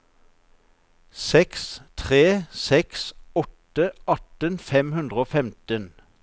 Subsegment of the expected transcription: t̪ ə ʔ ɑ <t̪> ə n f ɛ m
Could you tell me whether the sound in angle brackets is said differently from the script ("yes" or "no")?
no